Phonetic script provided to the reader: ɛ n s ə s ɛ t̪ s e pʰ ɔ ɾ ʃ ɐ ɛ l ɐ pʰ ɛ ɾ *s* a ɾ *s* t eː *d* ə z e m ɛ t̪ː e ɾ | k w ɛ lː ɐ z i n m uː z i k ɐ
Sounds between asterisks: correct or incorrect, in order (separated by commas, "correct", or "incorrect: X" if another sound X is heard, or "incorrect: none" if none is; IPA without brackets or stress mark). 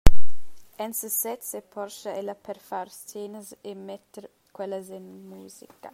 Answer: incorrect: f, correct, incorrect: n